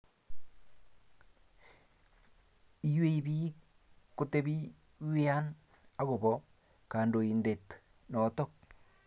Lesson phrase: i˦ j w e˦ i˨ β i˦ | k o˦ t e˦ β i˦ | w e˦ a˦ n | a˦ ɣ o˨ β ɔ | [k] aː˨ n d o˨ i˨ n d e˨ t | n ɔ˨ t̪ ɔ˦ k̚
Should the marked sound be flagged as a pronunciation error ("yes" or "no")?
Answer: no